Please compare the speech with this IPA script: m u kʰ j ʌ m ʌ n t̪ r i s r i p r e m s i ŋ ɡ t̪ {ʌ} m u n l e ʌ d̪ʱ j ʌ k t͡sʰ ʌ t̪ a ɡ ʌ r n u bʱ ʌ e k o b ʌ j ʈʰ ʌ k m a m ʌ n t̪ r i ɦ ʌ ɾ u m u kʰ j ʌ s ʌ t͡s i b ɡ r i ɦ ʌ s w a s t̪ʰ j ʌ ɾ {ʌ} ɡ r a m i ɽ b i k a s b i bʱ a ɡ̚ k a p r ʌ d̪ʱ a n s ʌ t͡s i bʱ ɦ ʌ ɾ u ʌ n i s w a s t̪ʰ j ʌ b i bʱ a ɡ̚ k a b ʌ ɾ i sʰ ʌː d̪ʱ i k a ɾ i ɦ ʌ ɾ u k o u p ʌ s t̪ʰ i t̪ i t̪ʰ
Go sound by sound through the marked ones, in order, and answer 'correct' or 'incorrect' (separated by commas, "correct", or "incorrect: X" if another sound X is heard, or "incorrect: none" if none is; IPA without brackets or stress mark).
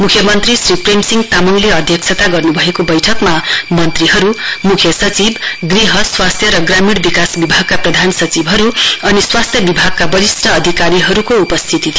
incorrect: a, correct